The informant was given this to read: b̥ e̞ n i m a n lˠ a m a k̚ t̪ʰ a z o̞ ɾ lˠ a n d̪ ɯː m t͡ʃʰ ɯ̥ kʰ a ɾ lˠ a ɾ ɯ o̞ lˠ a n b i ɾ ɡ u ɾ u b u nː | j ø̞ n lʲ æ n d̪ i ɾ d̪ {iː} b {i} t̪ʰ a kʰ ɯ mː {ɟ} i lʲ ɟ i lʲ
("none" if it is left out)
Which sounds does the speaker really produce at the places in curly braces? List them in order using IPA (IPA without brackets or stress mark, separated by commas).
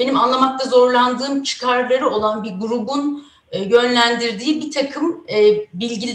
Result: iː, i, b